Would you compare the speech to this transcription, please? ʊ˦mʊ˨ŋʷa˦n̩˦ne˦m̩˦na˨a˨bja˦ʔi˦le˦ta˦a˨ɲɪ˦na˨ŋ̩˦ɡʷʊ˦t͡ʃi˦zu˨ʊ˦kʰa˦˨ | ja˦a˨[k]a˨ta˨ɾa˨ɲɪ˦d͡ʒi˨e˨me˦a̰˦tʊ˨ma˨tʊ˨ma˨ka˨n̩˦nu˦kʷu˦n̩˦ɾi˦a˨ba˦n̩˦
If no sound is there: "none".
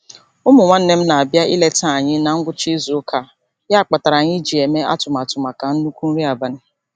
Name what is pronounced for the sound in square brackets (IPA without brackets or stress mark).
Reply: k͡p